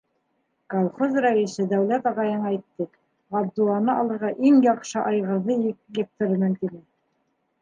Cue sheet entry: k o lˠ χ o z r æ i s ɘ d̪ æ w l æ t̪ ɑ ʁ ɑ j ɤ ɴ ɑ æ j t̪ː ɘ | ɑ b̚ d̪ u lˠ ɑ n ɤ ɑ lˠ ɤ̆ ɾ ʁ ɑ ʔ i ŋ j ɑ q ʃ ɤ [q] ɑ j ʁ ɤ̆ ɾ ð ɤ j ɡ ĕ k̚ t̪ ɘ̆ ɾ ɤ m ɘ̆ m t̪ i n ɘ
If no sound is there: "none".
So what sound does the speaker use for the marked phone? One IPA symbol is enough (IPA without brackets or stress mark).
ʔ